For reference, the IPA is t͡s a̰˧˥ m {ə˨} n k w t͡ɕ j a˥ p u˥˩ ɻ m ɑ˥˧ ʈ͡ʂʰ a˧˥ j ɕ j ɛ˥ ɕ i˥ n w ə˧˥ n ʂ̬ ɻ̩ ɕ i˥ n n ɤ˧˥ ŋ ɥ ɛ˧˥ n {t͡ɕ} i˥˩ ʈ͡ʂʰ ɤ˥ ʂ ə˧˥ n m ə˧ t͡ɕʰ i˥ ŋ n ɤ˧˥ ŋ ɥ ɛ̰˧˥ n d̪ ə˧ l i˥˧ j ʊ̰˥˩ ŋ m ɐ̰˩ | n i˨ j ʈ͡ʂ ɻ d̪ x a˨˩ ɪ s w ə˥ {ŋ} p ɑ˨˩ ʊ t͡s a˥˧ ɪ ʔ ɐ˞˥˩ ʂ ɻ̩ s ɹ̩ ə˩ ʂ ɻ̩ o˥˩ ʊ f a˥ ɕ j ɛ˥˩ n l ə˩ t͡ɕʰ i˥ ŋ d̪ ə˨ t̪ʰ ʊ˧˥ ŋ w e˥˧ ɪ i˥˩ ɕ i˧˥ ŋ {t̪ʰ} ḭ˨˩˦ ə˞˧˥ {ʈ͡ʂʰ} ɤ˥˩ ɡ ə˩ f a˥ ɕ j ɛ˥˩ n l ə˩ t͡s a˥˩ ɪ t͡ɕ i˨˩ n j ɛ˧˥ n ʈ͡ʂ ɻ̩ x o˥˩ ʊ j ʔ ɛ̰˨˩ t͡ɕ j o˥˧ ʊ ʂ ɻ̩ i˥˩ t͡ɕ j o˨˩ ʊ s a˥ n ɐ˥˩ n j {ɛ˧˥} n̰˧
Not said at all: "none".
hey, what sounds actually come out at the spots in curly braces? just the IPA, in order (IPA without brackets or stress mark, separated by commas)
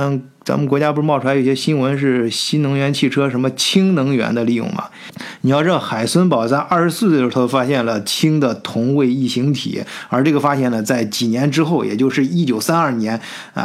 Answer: ə˨, t͡ɕʰ, n, t̪ʰ, ʈ͡ʂ, ɛ˧˥